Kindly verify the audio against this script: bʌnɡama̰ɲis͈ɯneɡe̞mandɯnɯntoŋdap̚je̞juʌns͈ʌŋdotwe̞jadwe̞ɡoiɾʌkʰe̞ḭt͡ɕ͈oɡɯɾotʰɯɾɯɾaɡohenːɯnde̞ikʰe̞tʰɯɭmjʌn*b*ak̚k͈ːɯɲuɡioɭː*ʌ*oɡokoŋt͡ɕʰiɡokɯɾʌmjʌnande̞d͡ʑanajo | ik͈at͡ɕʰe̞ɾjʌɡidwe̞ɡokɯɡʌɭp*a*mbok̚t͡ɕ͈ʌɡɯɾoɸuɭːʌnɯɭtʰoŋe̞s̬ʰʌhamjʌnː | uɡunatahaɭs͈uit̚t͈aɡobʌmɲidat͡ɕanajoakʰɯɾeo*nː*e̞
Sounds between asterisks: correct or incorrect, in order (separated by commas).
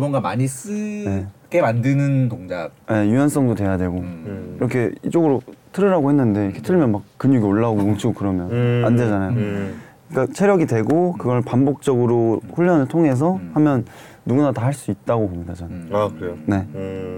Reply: incorrect, incorrect, correct, incorrect